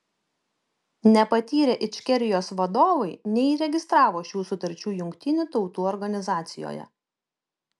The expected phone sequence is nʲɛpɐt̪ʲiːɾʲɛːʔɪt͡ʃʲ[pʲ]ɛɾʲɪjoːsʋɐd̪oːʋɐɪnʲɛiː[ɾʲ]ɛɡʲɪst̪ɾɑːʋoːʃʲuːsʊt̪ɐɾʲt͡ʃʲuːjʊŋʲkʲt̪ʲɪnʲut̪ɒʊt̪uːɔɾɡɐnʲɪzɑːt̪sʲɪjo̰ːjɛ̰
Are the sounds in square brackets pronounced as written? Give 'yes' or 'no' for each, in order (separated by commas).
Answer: no, yes